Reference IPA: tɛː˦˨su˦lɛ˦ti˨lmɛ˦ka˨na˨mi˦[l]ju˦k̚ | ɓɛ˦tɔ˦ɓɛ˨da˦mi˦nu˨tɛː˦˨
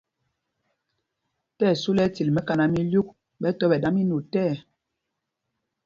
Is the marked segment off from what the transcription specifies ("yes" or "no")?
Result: no